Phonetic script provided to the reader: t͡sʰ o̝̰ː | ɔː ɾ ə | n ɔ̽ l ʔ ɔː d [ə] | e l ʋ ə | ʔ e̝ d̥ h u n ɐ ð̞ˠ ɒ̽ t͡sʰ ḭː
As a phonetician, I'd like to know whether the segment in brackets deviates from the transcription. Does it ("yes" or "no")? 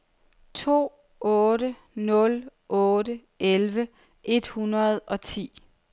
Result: no